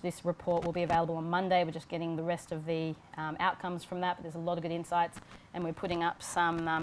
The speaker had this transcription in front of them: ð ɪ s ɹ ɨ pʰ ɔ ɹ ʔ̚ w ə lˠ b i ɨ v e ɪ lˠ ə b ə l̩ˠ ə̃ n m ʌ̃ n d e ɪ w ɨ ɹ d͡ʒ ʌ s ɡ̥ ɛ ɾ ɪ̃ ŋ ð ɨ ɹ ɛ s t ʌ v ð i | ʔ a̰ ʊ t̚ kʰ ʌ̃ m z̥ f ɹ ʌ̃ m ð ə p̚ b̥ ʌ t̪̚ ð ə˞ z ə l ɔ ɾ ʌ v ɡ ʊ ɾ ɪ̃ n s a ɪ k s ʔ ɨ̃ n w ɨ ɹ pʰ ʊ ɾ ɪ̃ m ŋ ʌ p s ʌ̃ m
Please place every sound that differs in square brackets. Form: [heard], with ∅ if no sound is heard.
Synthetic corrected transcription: ð ɪ s ɹ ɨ pʰ ɔ ɹ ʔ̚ w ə lˠ b i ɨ v e ɪ lˠ ə b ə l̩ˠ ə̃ n m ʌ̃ n d e ɪ w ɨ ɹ d͡ʒ ʌ s ɡ̥ ɛ ɾ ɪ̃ ŋ ð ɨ ɹ ɛ s t ʌ v ð i | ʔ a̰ ʊ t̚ kʰ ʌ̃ m z̥ f ɹ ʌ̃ m ð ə [t̚] b̥ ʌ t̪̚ ð ə˞ z ə l ɔ ɾ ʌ v ɡ ʊ ɾ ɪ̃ n s a ɪ [t] s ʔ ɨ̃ n w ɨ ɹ pʰ ʊ ɾ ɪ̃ [∅] ŋ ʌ p s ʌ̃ m